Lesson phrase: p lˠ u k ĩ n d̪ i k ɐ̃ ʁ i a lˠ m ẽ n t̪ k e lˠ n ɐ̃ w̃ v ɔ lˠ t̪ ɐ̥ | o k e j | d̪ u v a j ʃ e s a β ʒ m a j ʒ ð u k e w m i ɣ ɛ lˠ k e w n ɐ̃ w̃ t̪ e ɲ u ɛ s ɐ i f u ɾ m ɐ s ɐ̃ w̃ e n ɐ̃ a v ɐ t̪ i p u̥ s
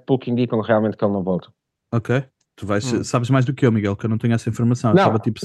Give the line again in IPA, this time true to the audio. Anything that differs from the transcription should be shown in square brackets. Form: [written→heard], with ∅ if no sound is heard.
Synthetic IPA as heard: p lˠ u k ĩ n d̪ i k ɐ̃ ʁ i a lˠ m ẽ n t̪ k e lˠ n ɐ̃ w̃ v ɔ lˠ t̪ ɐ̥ | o k e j | [d̪→t̪] u v a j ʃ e s a β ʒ m a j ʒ ð u k e w m i ɣ ɛ lˠ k e w n ɐ̃ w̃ t̪ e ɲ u ɛ s ɐ [i→ĩ] f u ɾ m ɐ s ɐ̃ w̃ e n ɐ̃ a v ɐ t̪ i p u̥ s